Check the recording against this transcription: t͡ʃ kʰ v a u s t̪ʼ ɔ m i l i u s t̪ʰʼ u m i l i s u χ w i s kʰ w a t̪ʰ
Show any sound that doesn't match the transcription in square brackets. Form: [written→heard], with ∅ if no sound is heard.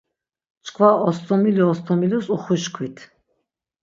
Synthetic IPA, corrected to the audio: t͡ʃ kʰ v a [u→ɔ] s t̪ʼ ɔ m i l i [u→ɔ] s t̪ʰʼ [u→ɔ] m i l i s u χ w i [s→ʃ] kʰ w [a→i] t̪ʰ